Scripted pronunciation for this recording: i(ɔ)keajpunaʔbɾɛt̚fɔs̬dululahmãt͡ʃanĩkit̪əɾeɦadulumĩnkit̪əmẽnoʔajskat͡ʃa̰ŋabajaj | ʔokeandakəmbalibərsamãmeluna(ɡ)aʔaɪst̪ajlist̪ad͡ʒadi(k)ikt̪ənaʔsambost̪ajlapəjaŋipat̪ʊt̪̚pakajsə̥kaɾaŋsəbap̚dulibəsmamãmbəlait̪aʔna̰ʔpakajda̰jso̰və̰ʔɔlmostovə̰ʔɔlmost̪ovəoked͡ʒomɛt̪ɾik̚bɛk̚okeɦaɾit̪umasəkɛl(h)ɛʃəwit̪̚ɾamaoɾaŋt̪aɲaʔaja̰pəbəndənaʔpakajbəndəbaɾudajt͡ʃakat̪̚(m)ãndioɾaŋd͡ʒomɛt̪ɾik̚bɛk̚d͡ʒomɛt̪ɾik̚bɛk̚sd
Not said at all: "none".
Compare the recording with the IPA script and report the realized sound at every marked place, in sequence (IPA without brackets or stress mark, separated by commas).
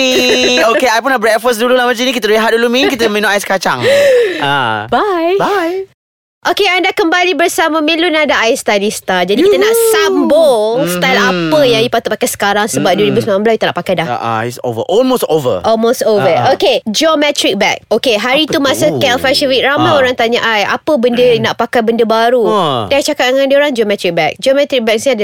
o, d, k, f, ŋ